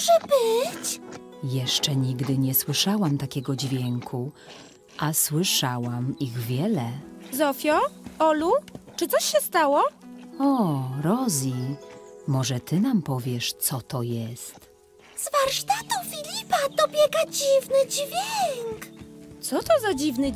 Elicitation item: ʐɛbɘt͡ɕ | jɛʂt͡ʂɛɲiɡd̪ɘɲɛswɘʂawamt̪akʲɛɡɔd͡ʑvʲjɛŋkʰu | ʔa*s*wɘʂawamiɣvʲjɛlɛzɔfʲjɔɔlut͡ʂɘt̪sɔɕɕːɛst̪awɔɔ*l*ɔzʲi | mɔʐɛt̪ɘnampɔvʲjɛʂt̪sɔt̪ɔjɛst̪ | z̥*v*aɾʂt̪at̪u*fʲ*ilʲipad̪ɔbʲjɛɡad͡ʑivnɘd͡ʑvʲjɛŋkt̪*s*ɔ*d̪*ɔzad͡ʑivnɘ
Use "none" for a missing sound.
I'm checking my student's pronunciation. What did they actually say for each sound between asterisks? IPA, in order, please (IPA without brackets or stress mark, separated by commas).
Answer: s, ɾ, v, fʲ, s, t̪